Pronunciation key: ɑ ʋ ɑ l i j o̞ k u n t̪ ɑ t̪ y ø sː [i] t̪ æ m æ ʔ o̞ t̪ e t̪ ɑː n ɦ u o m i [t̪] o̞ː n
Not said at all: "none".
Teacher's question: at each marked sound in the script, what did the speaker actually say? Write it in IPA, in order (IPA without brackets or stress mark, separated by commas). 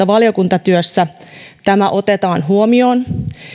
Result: æ, none